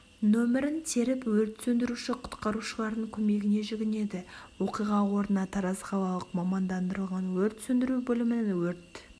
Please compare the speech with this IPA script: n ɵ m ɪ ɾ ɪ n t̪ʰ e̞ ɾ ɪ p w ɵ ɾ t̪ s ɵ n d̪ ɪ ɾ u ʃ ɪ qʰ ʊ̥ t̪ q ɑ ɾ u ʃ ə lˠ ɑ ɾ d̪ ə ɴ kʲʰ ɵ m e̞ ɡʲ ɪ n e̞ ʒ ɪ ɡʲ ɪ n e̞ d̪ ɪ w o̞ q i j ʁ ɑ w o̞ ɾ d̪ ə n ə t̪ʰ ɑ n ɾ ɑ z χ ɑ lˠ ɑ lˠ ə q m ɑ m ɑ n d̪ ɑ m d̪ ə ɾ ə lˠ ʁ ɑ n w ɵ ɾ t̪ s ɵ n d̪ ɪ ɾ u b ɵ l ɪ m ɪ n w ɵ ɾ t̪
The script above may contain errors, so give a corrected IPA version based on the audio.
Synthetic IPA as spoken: n ɵ m ɪ ɾ ɪ n t̪ʰ e̞ ɾ ɪ p w ɵ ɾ t̪ s ɵ n d̪ ɪ ɾ u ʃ ɪ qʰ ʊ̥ t̪ q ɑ ɾ u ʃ ə lˠ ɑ ɾ d̪ ə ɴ kʲʰ ɵ m e̞ ɡʲ ɪ n e̞ ʒ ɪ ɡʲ ɪ n e̞ d̪ ɪ w o̞ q i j ʁ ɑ w o̞ ɾ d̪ ə n ɑ t̪ʰ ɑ ɾ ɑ z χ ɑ lˠ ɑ lˠ ə q m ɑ m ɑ n d̪ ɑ n d̪ ə ɾ ə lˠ ʁ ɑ n w ɵ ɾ t̪ s ɵ n d̪ ɪ ɾ u b ɵ l ɪ m ɪ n w ɵ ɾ t̪